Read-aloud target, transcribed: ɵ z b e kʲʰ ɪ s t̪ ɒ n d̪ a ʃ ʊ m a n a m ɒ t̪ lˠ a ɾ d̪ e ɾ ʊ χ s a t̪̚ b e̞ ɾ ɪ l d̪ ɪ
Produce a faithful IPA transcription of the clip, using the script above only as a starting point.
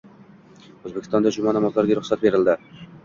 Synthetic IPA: ɵ z b e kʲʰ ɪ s t̪ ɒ n d̪ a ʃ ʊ m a n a m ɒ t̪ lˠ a ɾ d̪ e ɾ ʊ χ s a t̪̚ b e̞ ɾ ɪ l d̪ ɪ